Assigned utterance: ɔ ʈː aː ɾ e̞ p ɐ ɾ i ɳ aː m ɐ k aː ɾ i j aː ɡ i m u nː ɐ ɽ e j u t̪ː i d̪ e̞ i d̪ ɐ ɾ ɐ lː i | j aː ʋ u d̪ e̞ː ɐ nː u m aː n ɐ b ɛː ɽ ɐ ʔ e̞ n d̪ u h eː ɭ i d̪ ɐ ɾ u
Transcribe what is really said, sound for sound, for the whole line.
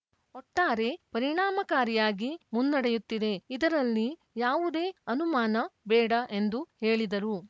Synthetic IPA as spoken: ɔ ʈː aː ɾ e̞ p ɐ ɾ i ɳ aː m ɐ k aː ɾ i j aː ɡ i m u nː ɐ ɽ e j u t̪ː i d̪ e̞ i d̪ ɐ ɾ ɐ lː i | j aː ʋ u d̪ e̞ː ɐ n u m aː n ɐ b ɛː ɽ ɐ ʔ e̞ n d̪ u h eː ɭ i d̪ ɐ ɾ u